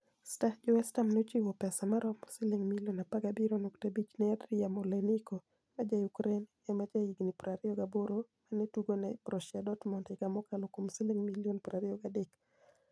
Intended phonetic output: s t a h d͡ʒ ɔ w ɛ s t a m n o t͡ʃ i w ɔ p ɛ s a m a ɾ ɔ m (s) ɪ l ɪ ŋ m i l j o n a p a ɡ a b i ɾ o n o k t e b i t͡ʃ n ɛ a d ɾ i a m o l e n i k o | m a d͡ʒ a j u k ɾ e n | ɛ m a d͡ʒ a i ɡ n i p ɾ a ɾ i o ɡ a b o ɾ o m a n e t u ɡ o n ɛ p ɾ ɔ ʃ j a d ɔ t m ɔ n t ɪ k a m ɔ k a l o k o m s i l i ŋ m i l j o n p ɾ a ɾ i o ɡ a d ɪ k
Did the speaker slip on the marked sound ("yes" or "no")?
no